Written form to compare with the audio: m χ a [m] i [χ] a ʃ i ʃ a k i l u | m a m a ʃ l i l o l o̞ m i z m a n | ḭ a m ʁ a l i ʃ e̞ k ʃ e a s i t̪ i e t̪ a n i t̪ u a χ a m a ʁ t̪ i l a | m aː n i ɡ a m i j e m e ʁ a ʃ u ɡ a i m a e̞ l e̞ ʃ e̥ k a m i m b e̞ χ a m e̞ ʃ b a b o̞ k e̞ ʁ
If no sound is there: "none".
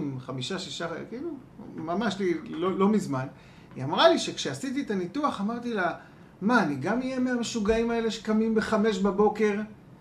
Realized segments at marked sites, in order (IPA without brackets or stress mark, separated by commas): m, ʃ